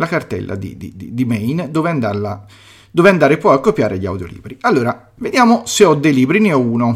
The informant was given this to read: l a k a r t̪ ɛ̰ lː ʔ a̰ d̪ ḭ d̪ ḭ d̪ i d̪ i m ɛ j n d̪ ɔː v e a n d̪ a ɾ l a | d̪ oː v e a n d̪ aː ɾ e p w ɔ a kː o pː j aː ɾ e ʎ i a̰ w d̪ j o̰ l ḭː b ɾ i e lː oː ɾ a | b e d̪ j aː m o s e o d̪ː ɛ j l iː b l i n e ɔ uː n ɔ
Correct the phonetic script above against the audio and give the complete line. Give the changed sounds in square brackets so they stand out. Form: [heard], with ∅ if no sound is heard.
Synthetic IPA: l a k a r t̪ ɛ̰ lː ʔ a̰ d̪ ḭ d̪ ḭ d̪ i d̪ i m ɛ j n d̪ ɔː v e a n d̪ a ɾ l a | d̪ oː v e a n d̪ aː ɾ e p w ɔ a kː o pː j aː ɾ e ʎ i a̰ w d̪ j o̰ l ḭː b ɾ i [a] lː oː ɾ a | [v] e d̪ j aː m o s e [ɔ] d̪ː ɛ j l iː b [ɾ] i n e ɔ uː n [o]